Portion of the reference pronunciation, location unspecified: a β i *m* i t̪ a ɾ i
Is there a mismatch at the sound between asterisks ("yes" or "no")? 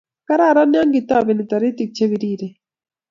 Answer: yes